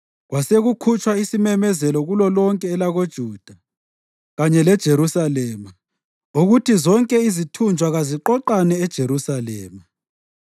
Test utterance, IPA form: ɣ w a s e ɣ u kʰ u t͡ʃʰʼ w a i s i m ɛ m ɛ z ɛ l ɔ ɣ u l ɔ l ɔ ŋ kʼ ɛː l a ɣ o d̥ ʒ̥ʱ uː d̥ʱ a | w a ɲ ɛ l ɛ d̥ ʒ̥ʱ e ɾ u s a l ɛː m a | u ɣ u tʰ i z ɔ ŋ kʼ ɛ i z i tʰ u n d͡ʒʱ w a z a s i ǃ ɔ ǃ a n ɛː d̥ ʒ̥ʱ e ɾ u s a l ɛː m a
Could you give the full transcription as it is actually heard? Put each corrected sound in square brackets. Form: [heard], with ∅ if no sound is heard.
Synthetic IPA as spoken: ɣ w a s e ɣ u kʰ u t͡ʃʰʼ w a i s i m ɛ m ɛ z ɛ l ɔ ɣ u l ɔ l ɔ ŋ kʼ ɛː l a ɣ o d̥ ʒ̥ʱ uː d̥ʱ a | [ɣ] a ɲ ɛ l ɛ d̥ ʒ̥ʱ e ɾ u s a l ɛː m a | u ɣ u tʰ i z ɔ ŋ kʼ ɛ i z i tʰ u n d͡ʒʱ w a [ɣ] a [z] i ǃ ɔ ǃ a n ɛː d̥ ʒ̥ʱ e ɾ u s a l ɛː m a

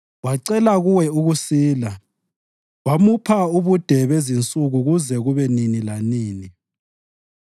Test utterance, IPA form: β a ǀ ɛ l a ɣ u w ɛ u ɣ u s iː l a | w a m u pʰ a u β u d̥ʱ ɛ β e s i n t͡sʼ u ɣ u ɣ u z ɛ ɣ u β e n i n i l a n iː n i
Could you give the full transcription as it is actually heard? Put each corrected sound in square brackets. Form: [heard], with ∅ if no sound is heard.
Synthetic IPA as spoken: [w] a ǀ ɛ l a ɣ u w ɛ u ɣ u s iː l a | w a m u pʰ a u β u d̥ʱ ɛ β e [z] i n t͡sʼ u ɣ u ɣ u z ɛ ɣ u β [ɛ] n i n i l a n iː n i

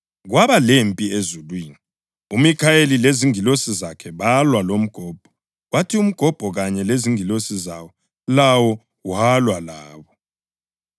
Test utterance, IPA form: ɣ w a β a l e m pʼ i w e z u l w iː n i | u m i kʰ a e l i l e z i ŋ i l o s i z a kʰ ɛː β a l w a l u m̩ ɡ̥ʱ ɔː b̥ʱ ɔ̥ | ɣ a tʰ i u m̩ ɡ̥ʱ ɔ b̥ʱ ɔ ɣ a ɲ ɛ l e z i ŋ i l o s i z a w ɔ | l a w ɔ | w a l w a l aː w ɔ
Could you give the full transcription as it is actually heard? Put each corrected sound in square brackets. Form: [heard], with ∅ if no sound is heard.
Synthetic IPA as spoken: ɣ w a β a l e m pʼ i [∅] e z u l w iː n i | u m i kʰ a e l i l e z i ŋ i l o s i z a kʰ [ɛ] β a l w a l [o] m̩ ɡ̥ʱ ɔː b̥ʱ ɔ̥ | [w] a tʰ i u m̩ ɡ̥ʱ ɔ b̥ʱ ɔ ɣ a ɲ ɛ l e z i ŋ i l o s i z a w ɔ | l a w ɔ | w a l w a l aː [β] ɔ

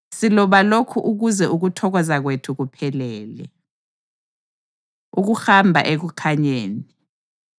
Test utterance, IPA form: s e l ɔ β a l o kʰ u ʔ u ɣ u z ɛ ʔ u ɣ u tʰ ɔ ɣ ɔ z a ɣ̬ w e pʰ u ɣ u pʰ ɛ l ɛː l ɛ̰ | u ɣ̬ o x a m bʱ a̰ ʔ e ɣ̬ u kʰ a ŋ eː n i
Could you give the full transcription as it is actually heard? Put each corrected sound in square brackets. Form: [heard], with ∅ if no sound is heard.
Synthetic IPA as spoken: s [i] l ɔ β a l o kʰ u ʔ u ɣ u z ɛ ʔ u ɣ u tʰ ɔ ɣ ɔ z a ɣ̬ w e [tʰ] u ɣ u pʰ ɛ l ɛː l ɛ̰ | u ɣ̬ [u] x a m bʱ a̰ ʔ e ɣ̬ u kʰ a [ɲ] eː n i

